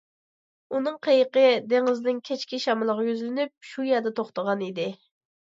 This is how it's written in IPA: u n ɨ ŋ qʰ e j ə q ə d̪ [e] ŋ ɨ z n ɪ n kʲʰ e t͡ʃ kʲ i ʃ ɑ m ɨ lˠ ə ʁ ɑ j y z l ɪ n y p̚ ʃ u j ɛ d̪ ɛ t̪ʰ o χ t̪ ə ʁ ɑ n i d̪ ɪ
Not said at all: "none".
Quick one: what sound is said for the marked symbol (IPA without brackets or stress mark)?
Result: e